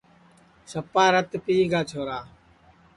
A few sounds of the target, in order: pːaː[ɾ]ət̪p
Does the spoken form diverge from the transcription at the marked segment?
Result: no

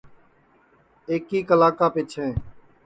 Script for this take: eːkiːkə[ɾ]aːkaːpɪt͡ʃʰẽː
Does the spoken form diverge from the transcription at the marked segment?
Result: yes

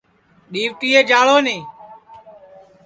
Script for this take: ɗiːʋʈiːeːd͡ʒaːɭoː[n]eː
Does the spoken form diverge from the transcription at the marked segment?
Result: no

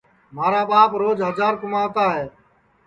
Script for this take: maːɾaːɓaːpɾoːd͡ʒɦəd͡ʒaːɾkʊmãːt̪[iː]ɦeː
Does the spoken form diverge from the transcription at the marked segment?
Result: yes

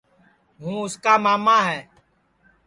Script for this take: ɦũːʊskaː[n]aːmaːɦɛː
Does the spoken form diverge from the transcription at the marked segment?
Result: yes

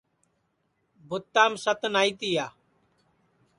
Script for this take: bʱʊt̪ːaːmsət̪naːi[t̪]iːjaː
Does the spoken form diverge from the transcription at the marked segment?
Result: no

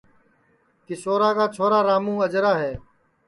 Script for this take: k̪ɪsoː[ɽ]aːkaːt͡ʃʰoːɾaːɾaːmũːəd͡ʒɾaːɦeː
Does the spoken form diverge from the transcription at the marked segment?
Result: yes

